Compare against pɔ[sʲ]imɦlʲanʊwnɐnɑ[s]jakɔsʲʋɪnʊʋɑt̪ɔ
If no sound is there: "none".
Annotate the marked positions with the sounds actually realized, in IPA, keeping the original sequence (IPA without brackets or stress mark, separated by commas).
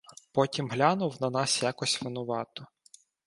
tʲ, s